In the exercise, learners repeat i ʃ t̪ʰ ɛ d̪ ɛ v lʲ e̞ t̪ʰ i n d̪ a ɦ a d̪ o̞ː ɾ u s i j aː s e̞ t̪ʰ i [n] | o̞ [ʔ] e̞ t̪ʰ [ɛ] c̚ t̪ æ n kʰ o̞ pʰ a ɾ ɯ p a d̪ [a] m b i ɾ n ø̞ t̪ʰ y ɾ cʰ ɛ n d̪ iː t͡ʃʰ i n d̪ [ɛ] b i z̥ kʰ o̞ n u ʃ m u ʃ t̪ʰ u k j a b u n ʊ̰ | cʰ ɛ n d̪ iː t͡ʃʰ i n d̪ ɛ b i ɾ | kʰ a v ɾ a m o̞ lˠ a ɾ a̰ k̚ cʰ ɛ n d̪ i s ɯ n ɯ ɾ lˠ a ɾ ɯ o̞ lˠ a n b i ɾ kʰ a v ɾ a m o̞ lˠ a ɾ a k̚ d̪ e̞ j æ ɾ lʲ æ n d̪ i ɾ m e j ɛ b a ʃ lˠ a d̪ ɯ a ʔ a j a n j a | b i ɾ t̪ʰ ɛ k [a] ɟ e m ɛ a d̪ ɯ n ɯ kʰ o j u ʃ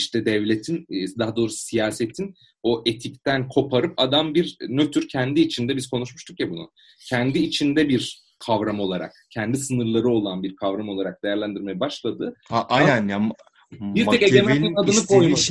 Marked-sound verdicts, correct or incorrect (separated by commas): correct, correct, incorrect, correct, correct, incorrect